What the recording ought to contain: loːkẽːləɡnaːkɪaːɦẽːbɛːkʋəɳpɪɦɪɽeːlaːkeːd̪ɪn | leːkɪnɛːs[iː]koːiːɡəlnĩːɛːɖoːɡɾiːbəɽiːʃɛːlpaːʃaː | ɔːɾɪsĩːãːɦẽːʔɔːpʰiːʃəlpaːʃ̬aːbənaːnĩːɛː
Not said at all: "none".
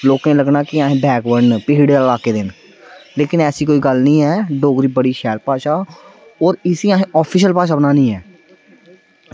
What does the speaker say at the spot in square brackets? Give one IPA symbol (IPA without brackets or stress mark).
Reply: iː